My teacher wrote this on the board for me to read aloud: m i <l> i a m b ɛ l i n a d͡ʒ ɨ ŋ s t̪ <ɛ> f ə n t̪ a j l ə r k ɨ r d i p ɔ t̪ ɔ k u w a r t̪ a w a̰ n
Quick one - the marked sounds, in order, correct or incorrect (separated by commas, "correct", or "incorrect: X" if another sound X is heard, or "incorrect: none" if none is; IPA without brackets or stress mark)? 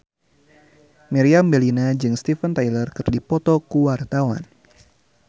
incorrect: ɾ, incorrect: i